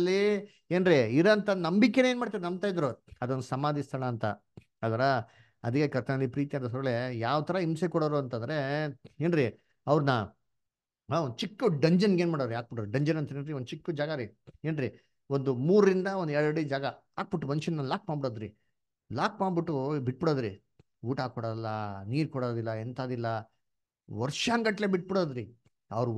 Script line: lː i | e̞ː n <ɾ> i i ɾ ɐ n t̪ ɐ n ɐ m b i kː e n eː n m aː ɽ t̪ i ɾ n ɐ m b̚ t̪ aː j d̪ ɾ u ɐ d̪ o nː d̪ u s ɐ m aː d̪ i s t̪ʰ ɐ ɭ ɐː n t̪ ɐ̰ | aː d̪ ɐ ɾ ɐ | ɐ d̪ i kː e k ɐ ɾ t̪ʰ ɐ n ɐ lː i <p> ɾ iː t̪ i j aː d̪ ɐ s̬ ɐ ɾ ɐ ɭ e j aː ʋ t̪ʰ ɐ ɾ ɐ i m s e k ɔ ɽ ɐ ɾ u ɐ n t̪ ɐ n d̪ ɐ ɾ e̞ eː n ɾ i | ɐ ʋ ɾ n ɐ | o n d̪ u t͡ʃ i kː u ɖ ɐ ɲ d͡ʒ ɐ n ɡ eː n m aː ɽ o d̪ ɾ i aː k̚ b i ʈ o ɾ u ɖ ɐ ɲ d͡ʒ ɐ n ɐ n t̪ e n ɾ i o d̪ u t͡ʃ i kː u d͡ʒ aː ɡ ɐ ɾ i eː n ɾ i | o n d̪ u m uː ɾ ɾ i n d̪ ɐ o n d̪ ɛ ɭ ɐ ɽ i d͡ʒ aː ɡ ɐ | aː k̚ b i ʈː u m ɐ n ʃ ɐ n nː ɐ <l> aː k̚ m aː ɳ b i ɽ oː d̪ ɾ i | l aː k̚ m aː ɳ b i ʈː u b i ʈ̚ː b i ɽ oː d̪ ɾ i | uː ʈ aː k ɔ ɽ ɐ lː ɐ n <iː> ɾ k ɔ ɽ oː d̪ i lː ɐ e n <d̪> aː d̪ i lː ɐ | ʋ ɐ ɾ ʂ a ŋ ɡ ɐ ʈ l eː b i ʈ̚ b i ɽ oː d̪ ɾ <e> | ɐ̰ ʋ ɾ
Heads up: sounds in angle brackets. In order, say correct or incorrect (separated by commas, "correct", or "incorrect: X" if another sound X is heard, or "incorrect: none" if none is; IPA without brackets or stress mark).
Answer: correct, correct, correct, correct, incorrect: t̪, incorrect: i